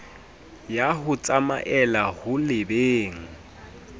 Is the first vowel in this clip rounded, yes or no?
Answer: no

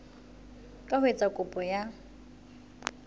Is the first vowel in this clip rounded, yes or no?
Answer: no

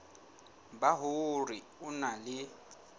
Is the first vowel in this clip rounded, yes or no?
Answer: no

